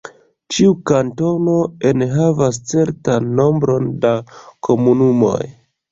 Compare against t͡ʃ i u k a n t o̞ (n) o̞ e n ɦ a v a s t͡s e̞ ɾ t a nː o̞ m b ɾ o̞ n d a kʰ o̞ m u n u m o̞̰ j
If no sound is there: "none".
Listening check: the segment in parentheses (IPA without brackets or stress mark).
n